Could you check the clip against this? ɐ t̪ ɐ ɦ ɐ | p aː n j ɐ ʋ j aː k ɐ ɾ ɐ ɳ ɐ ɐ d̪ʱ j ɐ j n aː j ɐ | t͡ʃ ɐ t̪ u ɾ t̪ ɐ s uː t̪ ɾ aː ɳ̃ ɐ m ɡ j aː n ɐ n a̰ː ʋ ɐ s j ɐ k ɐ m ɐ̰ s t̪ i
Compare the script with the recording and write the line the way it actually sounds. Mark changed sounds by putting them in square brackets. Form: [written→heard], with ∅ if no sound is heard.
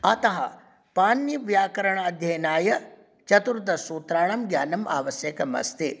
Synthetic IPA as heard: ɐ t̪ ɐ ɦ ɐ | p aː n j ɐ ʋ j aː k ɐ ɾ ɐ ɳ ɐ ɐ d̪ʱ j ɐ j n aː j ɐ | t͡ʃ ɐ t̪ u ɾ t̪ ɐ s uː t̪ ɾ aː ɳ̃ ɐ m ɡ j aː n ɐ [n→m] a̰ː ʋ ɐ s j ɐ k ɐ m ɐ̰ s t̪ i